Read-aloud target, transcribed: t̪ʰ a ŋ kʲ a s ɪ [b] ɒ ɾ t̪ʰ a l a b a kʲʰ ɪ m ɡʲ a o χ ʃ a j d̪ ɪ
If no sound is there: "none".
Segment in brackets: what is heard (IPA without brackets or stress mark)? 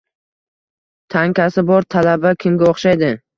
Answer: b